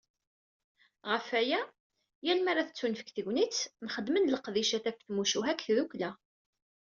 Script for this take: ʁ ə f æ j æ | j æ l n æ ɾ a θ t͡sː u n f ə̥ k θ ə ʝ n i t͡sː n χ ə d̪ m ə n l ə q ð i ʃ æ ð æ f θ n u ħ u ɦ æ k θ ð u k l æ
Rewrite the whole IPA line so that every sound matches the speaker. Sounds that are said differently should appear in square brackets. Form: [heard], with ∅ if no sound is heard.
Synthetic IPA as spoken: ʁ ə f æ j æ | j æ l [m] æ ɾ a θ t͡sː u n f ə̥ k θ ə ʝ n i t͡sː n χ ə d̪ m ə n l ə q ð i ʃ æ [θ] æ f θ [m] u [ʃ] u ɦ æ k θ ð u k l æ